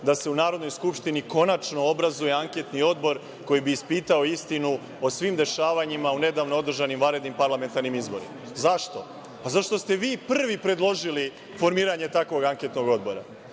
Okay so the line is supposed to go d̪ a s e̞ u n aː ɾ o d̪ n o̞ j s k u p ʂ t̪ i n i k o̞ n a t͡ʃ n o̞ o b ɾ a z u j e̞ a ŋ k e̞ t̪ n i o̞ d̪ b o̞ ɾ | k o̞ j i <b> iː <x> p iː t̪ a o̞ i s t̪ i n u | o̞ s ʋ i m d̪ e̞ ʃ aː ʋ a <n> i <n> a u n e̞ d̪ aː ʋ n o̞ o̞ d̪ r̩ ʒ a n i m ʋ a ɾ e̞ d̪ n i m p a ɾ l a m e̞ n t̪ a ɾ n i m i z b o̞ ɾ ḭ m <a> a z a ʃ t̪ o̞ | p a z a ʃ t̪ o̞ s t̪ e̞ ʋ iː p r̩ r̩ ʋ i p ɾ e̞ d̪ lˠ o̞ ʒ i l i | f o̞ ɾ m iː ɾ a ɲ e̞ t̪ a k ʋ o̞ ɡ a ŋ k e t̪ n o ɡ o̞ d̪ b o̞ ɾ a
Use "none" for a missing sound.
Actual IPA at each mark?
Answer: b, s, ɲ, m, a

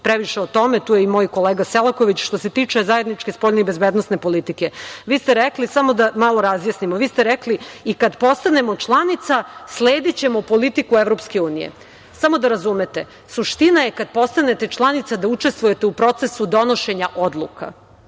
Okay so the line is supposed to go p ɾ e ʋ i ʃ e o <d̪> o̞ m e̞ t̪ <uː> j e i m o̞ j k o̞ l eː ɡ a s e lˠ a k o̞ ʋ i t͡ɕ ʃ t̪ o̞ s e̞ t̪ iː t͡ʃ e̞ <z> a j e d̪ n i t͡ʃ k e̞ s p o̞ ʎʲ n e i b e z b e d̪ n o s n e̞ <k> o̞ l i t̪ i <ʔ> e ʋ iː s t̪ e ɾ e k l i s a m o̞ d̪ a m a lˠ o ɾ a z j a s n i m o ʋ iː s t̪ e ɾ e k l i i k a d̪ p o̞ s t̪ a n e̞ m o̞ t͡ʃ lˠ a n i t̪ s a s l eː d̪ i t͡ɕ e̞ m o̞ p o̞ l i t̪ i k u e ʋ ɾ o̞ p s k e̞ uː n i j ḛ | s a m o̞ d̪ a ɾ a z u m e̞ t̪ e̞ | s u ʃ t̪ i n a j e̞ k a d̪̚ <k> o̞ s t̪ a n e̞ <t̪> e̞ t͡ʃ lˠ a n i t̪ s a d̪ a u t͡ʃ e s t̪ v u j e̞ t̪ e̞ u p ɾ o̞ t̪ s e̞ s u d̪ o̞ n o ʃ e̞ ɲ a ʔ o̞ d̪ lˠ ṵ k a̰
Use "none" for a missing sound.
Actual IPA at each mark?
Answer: t̪, uː, z, p, k, p, t̪

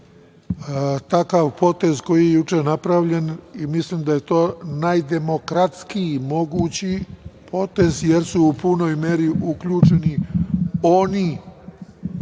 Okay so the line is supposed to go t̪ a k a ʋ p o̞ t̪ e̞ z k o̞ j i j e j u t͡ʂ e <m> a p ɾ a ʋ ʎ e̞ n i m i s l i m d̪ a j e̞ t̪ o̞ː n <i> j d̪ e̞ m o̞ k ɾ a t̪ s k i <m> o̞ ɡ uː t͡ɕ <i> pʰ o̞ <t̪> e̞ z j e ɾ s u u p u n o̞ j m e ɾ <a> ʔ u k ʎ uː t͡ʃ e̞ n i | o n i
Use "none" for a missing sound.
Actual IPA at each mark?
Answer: n, a, m, i, t̪, i

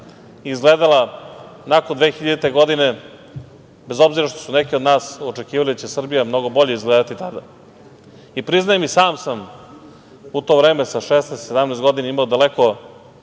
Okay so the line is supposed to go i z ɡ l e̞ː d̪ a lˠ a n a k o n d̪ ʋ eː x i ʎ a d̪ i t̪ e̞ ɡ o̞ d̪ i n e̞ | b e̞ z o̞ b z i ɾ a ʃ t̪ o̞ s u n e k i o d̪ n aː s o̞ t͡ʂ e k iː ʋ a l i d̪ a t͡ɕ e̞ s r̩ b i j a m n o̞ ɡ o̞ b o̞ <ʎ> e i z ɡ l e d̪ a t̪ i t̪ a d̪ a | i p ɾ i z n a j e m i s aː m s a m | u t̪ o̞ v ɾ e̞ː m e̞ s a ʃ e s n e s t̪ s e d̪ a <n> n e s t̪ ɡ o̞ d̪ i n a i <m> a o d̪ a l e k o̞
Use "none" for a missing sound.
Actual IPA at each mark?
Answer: ʎ, m, m

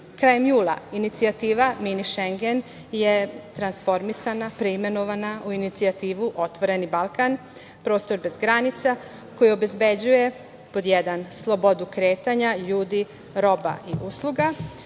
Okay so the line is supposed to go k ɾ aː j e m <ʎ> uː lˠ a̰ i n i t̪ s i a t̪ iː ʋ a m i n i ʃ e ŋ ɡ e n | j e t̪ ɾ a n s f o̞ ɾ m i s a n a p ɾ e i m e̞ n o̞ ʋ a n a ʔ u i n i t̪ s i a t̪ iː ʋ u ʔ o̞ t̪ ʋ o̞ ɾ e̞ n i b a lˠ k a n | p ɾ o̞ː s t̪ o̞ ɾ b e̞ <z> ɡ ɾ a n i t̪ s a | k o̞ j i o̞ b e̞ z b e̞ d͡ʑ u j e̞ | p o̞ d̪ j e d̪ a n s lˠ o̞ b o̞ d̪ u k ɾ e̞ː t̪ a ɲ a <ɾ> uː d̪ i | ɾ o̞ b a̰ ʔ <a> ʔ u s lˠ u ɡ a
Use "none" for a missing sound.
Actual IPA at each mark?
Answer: j, z, ʎ, i

